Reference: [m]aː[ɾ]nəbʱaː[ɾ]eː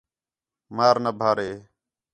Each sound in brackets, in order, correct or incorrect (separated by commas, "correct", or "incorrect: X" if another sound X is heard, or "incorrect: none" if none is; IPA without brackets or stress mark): correct, correct, correct